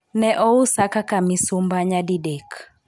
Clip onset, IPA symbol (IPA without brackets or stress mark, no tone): n